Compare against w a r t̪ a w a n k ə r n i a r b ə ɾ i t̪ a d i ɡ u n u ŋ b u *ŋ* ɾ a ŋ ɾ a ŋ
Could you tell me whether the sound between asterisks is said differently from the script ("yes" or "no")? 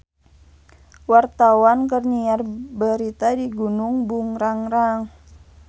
no